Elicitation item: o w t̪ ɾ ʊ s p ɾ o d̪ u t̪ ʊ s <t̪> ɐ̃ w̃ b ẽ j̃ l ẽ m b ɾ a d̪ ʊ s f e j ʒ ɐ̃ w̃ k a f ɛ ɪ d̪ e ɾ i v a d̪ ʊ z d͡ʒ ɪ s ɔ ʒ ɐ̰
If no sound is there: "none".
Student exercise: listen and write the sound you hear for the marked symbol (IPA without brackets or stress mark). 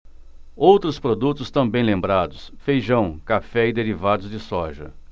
t̪